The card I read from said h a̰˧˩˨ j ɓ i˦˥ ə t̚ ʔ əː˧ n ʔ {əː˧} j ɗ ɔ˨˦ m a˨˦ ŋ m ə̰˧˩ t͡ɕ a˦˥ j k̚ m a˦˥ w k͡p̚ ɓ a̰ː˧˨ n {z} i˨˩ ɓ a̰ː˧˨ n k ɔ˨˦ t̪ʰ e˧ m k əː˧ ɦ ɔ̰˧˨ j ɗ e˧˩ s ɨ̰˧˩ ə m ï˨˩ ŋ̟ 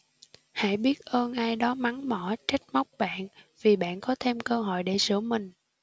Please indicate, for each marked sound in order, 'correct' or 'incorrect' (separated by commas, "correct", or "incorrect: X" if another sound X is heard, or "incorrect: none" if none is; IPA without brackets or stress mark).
incorrect: aː˧, incorrect: v